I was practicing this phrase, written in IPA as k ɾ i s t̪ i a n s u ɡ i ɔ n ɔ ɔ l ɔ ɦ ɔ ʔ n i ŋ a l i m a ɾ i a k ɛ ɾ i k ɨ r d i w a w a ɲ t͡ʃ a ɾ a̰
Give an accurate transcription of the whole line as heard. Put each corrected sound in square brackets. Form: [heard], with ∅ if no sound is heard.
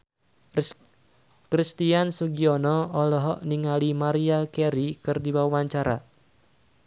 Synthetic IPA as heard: k ɾ i s t̪ i a n s u ɡ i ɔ n ɔ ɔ l ɔ ɦ ɔ ʔ n i ŋ a l i m a ɾ i a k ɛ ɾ i k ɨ r d i w a w a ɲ t͡ʃ a ɾ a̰